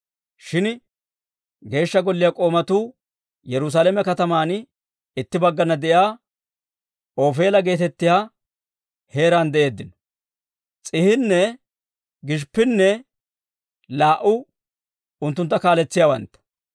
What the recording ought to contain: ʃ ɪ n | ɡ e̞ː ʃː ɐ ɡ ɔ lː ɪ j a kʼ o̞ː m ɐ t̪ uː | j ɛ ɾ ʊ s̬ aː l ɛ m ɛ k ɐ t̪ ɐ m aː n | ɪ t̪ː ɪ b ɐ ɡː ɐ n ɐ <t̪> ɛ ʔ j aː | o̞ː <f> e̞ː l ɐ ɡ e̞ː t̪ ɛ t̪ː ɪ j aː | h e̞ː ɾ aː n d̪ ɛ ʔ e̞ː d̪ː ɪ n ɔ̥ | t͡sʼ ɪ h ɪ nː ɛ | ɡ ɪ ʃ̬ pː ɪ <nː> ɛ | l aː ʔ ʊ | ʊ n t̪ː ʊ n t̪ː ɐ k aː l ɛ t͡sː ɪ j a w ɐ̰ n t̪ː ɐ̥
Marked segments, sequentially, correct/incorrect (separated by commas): incorrect, correct, correct